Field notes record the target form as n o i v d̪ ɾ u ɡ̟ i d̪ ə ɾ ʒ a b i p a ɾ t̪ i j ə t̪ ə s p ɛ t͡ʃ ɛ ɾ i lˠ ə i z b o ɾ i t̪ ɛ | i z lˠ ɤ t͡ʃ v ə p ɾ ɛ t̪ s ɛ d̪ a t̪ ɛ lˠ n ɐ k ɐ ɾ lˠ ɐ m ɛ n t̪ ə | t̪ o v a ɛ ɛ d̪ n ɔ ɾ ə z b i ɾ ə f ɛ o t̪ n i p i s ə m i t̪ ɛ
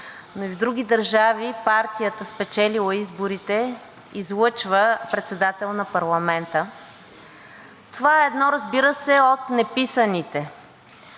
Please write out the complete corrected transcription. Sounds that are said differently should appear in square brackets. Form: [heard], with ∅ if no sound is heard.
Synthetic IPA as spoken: n o i v d̪ ɾ u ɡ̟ i d̪ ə ɾ ʒ a [v] i p a ɾ t̪ i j ə t̪ ə s p ɛ t͡ʃ ɛ [l] i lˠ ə i z b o ɾ i t̪ ɛ | i z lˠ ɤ t͡ʃ v ə p ɾ ɛ t̪ s ɛ d̪ a t̪ ɛ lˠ n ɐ [p] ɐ ɾ lˠ ɐ m ɛ n t̪ ə | t̪ o v a ɛ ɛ d̪ n ɔ ɾ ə z b i ɾ ə [s] ɛ o t̪ n [ɛ] p i s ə [n] i t̪ ɛ